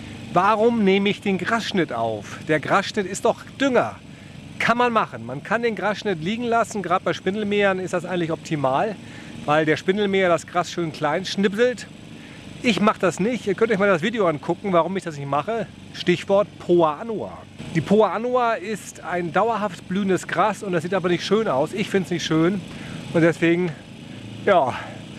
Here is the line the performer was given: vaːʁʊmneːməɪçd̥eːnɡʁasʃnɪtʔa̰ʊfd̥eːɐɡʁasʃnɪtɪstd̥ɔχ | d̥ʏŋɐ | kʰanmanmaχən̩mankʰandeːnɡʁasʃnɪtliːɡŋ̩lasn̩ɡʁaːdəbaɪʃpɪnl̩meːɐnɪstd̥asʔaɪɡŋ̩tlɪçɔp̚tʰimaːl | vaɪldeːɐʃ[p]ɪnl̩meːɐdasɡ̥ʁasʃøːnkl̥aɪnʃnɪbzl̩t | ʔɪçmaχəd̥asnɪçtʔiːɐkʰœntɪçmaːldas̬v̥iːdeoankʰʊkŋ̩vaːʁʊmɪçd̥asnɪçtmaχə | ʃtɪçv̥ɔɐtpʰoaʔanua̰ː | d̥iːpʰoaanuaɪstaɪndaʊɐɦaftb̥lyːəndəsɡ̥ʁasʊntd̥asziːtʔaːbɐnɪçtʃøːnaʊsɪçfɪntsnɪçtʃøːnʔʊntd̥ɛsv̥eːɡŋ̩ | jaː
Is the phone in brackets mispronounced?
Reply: no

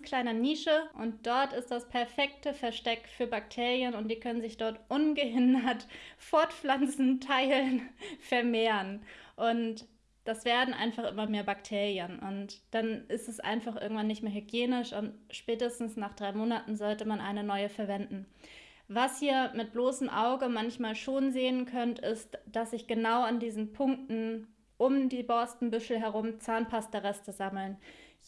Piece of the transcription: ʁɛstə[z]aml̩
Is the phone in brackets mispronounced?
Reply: no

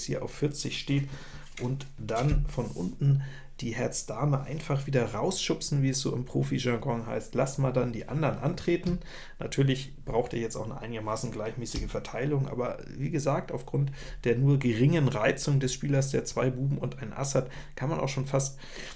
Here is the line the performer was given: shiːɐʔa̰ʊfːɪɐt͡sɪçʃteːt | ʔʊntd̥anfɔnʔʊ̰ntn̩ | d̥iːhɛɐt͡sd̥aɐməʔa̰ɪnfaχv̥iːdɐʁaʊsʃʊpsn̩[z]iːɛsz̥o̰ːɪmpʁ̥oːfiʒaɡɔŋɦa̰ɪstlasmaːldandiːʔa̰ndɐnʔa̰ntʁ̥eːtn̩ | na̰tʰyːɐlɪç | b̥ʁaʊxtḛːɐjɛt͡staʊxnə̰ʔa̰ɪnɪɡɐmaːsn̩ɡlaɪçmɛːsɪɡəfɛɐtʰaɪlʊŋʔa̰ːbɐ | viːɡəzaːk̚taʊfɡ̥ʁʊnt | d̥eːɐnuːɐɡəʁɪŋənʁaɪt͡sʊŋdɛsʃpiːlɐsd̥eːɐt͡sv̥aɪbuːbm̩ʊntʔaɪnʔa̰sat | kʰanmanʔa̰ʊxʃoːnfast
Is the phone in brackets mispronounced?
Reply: yes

